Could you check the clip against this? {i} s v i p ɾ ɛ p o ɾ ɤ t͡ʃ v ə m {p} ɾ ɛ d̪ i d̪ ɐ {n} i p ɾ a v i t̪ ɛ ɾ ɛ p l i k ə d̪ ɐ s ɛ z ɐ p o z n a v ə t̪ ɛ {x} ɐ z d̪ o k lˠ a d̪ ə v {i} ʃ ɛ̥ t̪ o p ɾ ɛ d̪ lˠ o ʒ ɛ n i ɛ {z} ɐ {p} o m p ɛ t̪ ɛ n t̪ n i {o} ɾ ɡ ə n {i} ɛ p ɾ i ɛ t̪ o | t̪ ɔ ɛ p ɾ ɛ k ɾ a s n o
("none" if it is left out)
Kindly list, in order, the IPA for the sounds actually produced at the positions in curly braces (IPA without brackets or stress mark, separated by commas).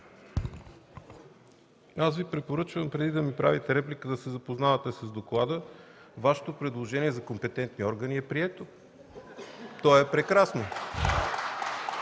a, p, m, s, a, z, k, ɔ, i